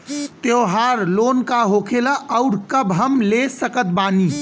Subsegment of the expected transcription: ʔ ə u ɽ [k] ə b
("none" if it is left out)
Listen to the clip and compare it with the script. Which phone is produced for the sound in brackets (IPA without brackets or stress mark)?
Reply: k